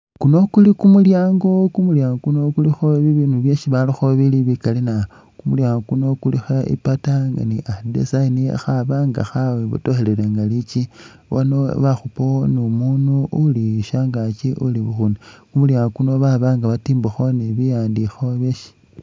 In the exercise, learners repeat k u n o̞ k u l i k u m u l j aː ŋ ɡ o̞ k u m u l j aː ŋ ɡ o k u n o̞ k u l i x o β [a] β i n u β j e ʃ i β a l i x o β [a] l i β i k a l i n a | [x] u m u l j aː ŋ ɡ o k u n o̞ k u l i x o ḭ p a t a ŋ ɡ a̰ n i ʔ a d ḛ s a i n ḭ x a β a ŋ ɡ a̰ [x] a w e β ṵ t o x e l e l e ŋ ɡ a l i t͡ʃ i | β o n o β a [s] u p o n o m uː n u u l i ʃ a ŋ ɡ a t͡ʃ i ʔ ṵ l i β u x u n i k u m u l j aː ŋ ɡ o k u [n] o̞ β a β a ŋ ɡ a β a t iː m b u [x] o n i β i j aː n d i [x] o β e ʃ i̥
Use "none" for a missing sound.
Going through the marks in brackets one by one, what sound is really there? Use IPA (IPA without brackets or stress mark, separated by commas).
i, i, k, x, x, n, x, x